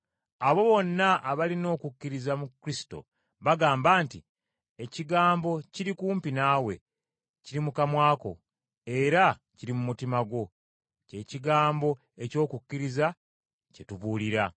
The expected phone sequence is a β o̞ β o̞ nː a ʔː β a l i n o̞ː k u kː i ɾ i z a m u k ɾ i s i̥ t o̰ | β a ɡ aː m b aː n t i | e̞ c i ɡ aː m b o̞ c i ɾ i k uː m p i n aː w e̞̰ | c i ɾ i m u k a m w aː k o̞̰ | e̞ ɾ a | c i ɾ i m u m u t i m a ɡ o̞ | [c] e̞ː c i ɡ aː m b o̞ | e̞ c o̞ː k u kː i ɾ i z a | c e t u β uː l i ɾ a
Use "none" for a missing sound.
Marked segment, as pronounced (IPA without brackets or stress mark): c